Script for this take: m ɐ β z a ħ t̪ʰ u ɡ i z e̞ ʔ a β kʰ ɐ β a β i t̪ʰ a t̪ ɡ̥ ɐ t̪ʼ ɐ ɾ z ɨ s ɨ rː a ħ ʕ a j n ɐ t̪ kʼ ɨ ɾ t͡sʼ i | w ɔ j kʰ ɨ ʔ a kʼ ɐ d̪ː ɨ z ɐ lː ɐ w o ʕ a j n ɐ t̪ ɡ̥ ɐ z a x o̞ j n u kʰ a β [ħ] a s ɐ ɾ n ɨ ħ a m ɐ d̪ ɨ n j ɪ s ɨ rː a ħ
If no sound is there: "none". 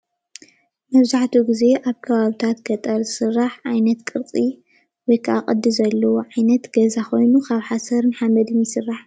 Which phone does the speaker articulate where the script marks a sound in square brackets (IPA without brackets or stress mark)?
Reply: ħ